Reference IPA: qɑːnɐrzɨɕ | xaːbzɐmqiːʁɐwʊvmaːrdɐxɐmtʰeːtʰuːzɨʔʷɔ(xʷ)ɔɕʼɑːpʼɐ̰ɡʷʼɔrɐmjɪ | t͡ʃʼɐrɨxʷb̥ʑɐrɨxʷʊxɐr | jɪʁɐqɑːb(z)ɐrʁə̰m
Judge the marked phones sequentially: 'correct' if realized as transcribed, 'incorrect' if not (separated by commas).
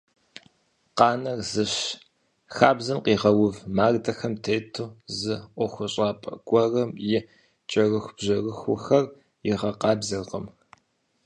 correct, correct